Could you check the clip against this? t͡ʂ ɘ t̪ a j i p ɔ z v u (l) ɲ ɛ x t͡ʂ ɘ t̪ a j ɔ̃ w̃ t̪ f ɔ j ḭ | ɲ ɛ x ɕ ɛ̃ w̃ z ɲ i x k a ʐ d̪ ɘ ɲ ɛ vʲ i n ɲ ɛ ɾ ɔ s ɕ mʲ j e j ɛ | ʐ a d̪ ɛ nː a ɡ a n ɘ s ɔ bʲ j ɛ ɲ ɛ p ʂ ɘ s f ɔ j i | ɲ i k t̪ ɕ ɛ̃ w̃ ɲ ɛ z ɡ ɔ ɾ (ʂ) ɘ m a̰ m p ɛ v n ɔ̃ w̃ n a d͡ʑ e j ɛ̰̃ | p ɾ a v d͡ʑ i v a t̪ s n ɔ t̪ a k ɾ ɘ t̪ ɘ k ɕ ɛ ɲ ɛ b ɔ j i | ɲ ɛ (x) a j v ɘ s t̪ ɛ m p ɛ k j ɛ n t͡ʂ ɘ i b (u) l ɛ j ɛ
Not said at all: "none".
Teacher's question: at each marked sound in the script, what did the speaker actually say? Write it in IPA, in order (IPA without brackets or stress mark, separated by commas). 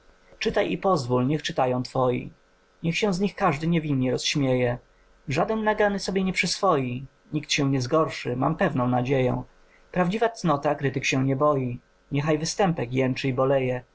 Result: l, ʂ, x, ɔ